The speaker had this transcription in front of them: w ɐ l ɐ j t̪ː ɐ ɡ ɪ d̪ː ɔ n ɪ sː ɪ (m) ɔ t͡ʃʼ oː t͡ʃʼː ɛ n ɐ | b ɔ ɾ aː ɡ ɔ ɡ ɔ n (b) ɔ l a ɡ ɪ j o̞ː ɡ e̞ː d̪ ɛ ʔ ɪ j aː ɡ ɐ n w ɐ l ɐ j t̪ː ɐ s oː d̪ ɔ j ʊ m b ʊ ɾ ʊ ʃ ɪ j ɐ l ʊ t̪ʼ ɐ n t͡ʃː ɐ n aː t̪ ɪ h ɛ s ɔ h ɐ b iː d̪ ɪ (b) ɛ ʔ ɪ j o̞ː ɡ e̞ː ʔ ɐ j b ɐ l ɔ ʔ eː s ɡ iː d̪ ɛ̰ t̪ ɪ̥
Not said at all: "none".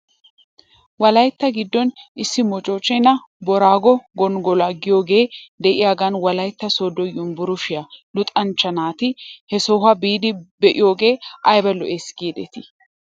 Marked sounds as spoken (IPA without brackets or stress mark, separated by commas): m, ɡ, b